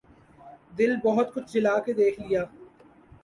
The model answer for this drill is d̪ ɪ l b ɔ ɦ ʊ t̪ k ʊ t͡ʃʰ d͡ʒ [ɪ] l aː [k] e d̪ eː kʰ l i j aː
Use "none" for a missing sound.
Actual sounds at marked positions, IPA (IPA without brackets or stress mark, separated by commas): ɪ, k